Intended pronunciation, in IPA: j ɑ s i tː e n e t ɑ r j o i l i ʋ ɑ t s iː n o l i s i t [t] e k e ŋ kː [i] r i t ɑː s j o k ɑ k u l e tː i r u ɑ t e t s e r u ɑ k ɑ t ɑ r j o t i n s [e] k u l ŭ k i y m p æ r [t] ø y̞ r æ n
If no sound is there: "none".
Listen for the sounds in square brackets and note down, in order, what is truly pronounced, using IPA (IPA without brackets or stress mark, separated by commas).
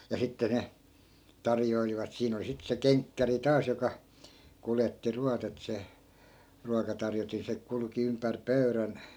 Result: s, æ, e, p